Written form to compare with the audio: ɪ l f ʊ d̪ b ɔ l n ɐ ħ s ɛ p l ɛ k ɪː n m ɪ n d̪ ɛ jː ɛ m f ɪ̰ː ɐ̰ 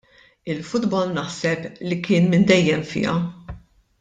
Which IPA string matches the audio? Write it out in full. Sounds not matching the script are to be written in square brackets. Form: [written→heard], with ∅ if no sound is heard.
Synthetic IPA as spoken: ɪ l f ʊ d̪ b ɔ l n ɐ ħ s ɛ p l [ɛ→i] k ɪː n m ɪ n d̪ ɛ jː ɛ m f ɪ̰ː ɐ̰